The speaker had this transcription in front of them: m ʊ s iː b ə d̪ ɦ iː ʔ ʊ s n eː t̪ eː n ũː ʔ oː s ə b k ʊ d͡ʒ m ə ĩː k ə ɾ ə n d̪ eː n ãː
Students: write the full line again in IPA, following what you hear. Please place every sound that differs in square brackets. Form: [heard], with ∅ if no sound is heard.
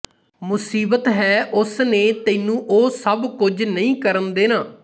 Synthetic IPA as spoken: m ʊ s iː b ə [t̪] ɦ [ɛː] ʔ ʊ s n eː t̪ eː n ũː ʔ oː s ə b k ʊ d͡ʒ [n] ə ĩː k ə ɾ ə n d̪ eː n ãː